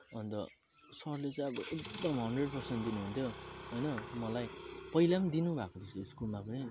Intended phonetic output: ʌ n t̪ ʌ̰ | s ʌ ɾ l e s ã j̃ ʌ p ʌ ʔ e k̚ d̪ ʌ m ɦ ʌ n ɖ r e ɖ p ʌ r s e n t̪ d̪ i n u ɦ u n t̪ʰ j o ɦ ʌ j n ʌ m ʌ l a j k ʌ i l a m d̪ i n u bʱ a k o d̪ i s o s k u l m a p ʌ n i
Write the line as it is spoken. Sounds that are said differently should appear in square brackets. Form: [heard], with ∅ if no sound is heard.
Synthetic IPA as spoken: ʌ n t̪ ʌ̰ | s ʌ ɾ l e [t͡s] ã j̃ ʌ [b] ʌ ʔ e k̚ d̪ ʌ m ɦ ʌ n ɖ r e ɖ p ʌ r s e n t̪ d̪ i n u ɦ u n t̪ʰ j o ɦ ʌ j n ʌ m ʌ l a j [p] ʌ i l a m d̪ i n u bʱ a k o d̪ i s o s k u l m a p ʌ n i